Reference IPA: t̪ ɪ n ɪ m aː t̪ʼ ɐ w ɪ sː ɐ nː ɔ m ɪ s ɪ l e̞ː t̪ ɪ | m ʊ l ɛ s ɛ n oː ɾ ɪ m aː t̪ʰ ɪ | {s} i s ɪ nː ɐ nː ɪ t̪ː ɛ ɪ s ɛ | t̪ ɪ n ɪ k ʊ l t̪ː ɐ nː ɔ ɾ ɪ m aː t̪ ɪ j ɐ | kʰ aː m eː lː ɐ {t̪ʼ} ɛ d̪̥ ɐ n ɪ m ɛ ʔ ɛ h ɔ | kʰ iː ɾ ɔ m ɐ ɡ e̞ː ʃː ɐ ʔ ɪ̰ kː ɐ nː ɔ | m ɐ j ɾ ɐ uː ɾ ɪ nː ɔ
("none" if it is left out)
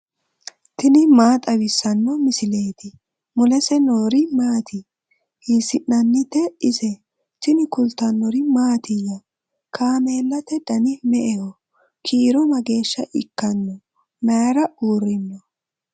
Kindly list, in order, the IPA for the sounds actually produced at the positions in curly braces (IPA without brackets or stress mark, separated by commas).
h, t̪